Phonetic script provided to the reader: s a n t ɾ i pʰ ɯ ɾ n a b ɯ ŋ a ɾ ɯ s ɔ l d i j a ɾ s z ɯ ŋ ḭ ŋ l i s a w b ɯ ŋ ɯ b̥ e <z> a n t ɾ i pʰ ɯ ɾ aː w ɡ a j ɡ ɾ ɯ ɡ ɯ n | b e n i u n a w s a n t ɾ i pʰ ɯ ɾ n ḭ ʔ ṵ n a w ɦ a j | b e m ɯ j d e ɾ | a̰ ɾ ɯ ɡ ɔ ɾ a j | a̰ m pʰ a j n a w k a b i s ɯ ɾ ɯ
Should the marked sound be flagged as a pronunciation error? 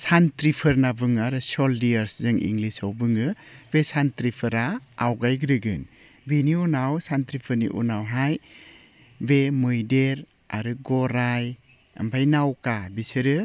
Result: yes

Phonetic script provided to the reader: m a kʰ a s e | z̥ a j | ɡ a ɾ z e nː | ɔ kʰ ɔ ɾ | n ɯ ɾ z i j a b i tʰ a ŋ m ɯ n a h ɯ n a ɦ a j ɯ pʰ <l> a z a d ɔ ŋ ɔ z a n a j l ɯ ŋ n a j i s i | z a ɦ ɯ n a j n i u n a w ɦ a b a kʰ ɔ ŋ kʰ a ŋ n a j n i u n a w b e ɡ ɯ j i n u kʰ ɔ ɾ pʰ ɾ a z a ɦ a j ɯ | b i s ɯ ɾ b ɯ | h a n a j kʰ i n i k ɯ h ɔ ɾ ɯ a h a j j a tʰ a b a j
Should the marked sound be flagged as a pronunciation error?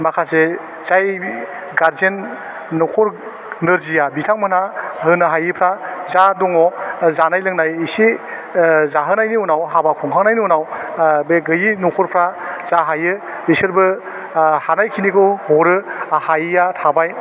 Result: yes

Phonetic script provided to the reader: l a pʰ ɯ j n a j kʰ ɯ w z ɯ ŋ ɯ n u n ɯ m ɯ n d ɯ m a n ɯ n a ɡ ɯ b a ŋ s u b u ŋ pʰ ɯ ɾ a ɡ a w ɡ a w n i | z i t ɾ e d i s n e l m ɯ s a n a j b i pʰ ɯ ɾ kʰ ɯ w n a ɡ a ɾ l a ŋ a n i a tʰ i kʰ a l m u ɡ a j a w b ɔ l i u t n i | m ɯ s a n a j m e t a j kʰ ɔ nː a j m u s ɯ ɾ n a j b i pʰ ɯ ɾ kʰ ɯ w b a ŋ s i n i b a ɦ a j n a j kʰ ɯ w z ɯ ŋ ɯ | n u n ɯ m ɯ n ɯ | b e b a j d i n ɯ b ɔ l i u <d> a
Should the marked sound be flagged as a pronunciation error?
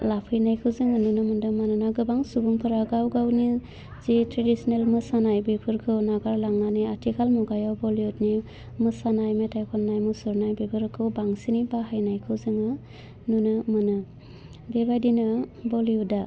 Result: no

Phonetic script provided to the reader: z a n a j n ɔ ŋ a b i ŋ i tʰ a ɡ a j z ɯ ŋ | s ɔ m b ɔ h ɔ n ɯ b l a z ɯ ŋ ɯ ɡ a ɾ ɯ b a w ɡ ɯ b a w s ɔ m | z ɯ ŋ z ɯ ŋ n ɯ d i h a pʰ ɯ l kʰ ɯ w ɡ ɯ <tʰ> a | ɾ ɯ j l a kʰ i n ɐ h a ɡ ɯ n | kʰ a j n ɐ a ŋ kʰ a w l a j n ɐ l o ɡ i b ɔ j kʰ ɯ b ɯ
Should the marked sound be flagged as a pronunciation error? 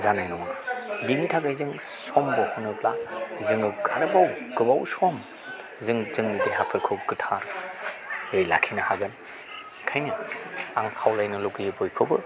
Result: no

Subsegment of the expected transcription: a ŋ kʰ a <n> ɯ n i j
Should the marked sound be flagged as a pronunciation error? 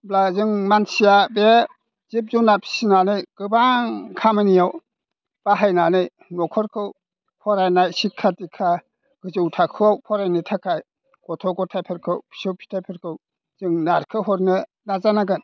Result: yes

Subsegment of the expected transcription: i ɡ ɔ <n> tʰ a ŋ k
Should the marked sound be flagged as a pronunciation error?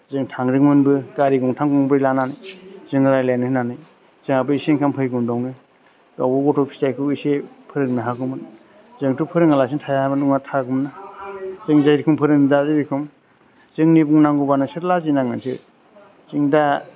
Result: yes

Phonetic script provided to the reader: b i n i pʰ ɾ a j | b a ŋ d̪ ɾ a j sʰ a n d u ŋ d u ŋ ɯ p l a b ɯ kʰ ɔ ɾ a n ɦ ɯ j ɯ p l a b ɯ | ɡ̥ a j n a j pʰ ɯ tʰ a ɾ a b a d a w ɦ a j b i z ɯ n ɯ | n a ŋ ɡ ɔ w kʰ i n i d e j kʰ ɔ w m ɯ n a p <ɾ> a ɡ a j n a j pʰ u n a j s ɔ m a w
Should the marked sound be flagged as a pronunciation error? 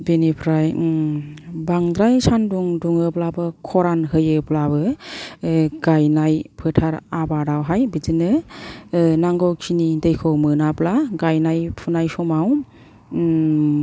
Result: yes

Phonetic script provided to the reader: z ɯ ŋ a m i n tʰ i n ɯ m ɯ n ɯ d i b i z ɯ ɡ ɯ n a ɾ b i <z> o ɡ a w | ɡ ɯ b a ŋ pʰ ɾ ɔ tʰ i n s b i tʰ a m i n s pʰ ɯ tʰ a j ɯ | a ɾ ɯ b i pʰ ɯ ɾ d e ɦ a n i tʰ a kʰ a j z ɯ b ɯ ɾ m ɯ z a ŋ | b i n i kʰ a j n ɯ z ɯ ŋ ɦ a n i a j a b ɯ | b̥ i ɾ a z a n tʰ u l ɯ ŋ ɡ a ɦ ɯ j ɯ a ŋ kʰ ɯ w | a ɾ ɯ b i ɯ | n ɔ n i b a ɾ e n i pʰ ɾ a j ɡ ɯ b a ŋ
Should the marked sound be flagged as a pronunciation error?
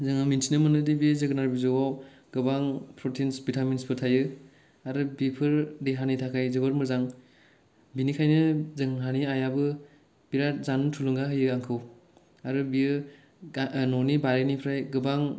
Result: no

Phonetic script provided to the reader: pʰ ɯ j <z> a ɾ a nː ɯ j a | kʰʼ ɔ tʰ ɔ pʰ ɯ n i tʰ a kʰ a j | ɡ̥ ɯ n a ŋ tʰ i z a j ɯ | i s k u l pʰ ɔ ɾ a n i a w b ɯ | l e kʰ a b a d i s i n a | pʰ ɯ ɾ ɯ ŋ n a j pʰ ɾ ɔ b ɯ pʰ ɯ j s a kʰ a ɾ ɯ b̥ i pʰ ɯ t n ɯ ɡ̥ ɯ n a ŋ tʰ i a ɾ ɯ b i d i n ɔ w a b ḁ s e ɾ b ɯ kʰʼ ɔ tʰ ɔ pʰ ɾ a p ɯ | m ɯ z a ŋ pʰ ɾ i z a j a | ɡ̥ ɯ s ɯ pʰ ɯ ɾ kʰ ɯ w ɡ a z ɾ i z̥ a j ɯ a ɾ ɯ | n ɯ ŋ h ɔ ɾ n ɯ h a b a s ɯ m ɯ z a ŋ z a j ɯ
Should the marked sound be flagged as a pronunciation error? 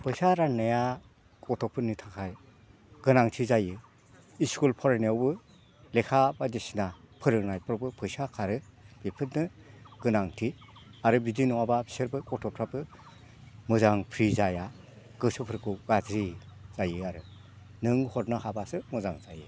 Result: yes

